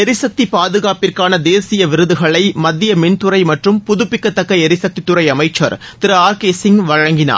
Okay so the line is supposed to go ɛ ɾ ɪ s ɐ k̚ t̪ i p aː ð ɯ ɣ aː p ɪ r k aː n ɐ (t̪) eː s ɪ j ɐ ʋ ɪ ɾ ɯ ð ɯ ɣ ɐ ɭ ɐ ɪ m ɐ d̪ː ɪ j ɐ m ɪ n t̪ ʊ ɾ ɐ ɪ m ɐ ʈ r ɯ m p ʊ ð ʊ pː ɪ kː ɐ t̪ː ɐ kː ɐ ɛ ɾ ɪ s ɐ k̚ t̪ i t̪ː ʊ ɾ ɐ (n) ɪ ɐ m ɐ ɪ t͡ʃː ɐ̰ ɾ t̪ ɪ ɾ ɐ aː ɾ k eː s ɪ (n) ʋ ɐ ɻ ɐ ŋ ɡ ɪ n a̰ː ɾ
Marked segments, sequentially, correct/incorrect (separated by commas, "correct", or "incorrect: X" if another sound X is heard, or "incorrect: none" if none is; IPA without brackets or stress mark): incorrect: d̪, incorrect: none, incorrect: ŋ